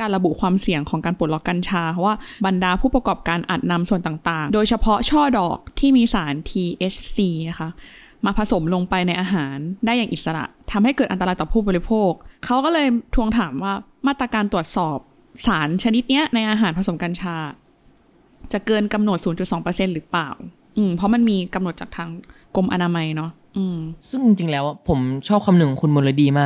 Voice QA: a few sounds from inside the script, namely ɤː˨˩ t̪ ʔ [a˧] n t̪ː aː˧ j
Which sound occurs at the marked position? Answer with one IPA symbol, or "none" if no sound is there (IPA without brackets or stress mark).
a˧